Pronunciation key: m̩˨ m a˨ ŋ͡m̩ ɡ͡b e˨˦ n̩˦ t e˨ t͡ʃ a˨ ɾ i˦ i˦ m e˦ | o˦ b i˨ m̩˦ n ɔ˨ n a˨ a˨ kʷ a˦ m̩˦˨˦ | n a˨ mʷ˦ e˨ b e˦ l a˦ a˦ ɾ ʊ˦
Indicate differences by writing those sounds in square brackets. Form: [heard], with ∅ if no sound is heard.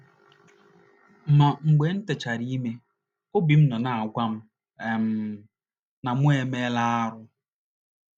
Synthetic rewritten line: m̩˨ m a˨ ŋ͡m̩ ɡ͡b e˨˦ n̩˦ t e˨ t͡ʃ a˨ ɾ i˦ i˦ m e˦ | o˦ b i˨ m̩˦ n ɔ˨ n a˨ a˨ [ɡʷ] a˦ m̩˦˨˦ | n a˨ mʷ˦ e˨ [m] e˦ l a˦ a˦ ɾ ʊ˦